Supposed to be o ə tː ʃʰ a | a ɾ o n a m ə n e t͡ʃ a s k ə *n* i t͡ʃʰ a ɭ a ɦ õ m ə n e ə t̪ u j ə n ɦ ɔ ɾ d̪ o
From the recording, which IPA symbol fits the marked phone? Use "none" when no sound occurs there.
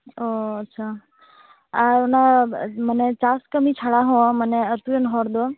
m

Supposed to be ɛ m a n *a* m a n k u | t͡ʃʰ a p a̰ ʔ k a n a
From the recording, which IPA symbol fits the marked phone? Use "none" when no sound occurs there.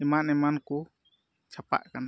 ɛ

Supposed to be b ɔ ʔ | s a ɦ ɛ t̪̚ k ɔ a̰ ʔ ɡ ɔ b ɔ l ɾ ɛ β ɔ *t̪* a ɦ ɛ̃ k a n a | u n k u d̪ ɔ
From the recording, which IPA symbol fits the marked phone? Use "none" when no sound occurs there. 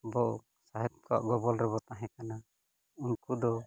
t̪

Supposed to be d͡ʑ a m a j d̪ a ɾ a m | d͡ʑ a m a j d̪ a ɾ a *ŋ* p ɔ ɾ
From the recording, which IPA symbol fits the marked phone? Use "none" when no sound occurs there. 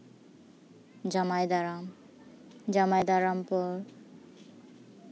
m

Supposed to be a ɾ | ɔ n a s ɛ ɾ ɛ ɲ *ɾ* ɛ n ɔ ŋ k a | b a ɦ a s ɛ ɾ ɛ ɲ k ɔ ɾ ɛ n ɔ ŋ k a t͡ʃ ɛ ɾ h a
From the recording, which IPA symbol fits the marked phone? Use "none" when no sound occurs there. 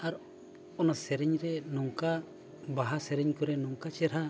ɾ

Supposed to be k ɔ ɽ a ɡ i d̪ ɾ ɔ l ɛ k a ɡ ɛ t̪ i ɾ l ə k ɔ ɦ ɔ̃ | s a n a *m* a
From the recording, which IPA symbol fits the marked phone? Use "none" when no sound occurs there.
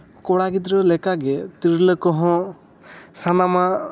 m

